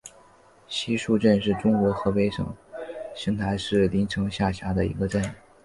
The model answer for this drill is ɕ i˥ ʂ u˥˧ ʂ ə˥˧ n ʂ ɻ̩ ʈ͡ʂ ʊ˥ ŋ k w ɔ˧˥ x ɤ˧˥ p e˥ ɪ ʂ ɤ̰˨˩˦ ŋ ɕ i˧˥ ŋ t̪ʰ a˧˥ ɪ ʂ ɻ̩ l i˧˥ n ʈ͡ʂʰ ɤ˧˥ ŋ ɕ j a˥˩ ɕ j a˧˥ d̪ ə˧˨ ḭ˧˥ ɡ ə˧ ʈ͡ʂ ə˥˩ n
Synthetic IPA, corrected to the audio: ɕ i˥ ʂ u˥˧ ʈ͡ʂ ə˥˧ n ʂ ɻ̩ ʈ͡ʂ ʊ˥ ŋ k w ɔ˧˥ x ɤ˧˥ p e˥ ɪ ʂ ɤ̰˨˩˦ ŋ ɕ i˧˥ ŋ t̪ʰ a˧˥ ɪ ʂ ɻ̩ l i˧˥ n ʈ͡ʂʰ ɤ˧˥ ŋ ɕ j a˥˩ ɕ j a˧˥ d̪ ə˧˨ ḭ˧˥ ɡ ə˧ ʈ͡ʂ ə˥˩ n